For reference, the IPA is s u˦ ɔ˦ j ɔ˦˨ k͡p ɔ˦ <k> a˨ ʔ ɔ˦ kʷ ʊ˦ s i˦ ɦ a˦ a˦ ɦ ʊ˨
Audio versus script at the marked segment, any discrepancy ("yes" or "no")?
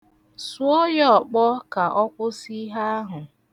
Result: no